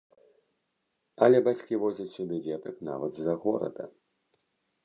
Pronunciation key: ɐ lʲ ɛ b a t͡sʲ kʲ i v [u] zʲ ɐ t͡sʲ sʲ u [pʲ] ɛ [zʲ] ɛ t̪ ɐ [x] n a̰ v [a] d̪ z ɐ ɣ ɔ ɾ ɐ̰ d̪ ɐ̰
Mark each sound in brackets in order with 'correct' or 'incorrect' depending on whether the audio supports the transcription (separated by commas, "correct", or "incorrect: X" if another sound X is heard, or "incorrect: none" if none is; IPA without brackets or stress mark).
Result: incorrect: ɔ, incorrect: bʲ, incorrect: vʲ, incorrect: k, incorrect: ɐ